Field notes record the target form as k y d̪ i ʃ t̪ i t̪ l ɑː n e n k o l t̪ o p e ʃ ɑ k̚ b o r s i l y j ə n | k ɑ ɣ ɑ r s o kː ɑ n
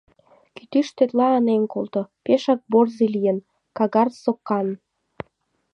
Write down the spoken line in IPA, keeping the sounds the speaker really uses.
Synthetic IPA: k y t̪ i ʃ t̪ e t̪ l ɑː n e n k o l t̪ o p e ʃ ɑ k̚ b o r z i l i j ə n | k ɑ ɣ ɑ r s o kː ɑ n